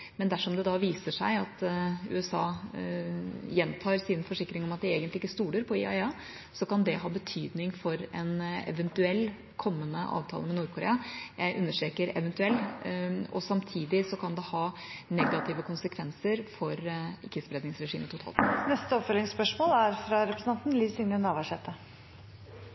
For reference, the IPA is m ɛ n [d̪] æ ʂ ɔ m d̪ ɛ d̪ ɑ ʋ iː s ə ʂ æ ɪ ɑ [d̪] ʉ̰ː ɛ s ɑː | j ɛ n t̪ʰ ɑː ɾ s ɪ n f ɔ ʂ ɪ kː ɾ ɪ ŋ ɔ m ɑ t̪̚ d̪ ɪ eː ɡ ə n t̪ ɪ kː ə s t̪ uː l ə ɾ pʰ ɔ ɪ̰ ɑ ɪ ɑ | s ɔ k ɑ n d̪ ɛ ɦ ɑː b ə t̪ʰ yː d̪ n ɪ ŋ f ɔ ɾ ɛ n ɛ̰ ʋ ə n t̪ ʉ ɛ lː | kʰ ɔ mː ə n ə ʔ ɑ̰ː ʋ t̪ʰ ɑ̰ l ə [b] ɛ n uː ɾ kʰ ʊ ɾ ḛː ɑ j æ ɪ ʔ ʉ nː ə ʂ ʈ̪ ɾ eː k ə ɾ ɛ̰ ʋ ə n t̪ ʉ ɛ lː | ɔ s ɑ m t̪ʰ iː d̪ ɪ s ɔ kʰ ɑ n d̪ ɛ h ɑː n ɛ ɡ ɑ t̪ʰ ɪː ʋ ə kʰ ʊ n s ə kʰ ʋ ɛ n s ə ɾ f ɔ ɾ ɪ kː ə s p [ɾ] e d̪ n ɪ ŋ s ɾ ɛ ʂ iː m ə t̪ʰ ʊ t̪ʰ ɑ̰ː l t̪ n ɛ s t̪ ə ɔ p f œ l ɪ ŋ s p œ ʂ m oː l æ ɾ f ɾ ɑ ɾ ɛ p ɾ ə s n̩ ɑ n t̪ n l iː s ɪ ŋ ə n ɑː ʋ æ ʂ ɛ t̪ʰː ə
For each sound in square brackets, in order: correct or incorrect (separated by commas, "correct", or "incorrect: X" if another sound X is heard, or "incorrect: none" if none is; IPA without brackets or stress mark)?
correct, incorrect: t̪, incorrect: m, correct